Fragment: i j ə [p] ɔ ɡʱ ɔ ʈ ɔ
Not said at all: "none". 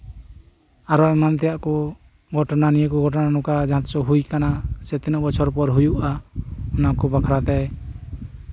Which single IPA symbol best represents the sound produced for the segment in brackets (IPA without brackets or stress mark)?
k